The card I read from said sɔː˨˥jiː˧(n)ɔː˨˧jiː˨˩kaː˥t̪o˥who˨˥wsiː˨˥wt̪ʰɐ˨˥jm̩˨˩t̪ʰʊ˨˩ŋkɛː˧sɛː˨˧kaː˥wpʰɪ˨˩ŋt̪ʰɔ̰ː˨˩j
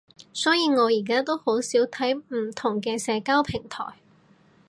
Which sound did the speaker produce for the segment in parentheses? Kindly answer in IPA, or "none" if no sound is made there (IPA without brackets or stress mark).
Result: ŋ